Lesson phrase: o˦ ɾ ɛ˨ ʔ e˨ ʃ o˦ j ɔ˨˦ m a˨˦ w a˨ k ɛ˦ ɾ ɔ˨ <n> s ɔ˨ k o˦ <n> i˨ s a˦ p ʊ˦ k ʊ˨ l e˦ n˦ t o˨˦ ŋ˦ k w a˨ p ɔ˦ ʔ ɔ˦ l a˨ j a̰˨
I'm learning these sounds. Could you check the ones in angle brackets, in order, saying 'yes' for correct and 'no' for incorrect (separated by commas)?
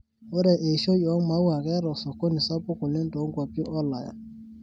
no, yes